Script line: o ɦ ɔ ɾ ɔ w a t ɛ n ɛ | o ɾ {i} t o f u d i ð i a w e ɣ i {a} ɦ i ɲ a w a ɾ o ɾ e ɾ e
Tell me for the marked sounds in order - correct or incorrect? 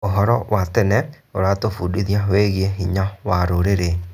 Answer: incorrect, incorrect

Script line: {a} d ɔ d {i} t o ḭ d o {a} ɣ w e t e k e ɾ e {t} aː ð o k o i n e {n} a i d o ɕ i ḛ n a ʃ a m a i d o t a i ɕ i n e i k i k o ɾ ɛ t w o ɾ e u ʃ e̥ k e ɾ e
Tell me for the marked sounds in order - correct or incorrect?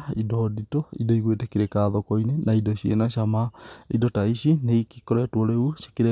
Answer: incorrect, correct, incorrect, incorrect, correct

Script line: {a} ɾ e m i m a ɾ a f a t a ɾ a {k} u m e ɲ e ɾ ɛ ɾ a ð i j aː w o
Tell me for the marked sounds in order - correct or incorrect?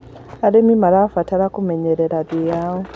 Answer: correct, correct

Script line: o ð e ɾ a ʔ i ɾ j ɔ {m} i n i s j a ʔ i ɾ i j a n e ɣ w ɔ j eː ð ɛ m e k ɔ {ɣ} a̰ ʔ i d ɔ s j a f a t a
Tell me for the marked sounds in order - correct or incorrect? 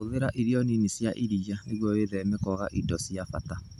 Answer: incorrect, correct

